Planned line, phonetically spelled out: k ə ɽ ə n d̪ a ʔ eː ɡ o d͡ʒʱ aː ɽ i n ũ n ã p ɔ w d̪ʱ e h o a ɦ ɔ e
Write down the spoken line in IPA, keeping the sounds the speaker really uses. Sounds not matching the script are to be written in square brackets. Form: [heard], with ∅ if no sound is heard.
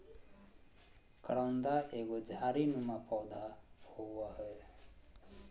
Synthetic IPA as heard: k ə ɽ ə n d̪ a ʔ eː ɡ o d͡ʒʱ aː [ɾ] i n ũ [m] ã p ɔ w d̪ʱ [a] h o a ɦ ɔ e